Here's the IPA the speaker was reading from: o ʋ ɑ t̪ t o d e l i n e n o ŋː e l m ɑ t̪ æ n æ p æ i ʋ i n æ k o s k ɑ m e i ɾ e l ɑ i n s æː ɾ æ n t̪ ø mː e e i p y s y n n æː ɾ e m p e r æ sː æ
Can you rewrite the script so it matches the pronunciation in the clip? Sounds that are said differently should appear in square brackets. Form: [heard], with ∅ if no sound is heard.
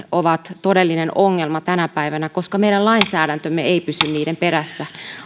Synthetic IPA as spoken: o ʋ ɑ t̪ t o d e [lː] i n e n o ŋː e l m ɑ t̪ æ n æ p æ i ʋ [æ] n æ k o s k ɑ m e i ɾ [æ] l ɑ i n s æː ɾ æ n t̪ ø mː e e i p y s y n n [iː] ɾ e m p e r æ sː æ